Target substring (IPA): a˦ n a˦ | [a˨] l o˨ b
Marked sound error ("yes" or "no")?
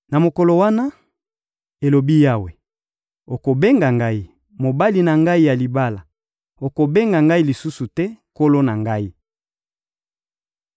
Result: yes